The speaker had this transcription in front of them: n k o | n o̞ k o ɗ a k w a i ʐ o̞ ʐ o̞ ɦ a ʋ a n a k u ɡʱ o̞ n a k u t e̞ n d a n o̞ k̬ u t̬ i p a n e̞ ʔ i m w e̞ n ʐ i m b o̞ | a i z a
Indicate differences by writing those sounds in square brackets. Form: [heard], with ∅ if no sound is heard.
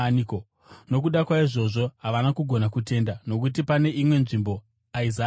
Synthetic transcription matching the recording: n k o | n o̞ k [u] ɗ a k w a i ʐ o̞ ʐ o̞ ɦ a ʋ a n a k u ɡʱ o̞ n a k u t e̞ n d a n o̞ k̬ u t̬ i p a n e̞ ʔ i m w e̞ n ʐ i m b o̞ | a i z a